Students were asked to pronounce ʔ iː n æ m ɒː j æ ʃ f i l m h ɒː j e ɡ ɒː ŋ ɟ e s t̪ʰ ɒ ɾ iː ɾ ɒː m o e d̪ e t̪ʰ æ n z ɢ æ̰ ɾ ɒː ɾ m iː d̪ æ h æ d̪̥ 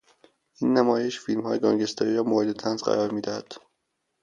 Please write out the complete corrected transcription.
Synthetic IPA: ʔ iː nː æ m ɒː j e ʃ f i l m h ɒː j e ɡ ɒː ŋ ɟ e s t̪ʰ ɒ ɾ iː ɾ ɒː m o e d̪ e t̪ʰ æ n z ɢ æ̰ ɾ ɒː ɾ m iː d̪ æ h æ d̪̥